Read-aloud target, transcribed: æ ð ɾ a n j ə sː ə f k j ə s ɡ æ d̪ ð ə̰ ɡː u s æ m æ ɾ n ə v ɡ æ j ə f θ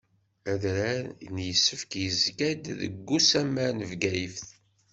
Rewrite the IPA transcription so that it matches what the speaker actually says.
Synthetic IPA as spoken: æ ð ɾ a n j ə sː ə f k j ə z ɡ æ d̪ ð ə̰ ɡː u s æ m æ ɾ n ə v ɡ æ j ə f θ